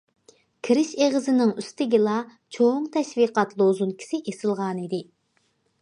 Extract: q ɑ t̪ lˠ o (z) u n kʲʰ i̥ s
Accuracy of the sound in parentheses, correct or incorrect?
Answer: correct